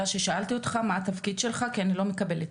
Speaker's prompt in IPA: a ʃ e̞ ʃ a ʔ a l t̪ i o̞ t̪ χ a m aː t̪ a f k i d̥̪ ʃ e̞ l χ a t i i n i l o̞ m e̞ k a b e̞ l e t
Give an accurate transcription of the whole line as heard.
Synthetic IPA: a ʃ e̞ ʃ a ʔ a l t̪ i o̞ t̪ χ a m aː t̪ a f k i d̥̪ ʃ e̞ l χ a k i a n i l o̞ m e̞ k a b e̞ l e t